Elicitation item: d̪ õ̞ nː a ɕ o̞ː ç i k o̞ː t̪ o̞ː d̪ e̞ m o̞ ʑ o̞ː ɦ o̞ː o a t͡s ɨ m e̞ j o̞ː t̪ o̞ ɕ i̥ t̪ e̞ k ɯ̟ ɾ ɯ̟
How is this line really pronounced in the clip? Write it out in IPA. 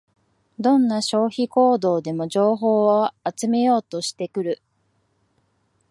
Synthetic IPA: d̪ õ̞ nː a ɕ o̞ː ç i k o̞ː d̪ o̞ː d̪ e̞ m o̞ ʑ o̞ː ɦ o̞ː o a t͡s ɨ m e̞ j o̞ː t̪ o̞ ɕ i̥ t̪ e̞ k ɯ̟ ɾ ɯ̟